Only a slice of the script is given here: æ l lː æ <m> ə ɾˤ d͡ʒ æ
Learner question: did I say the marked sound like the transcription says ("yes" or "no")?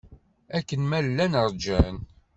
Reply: no